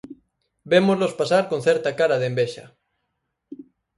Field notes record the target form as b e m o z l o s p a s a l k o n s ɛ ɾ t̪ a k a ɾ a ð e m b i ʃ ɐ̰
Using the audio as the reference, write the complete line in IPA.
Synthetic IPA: b e m o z l o s p a s a ɾ k o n θ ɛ ɾ t̪ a k a ɾ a ð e m b e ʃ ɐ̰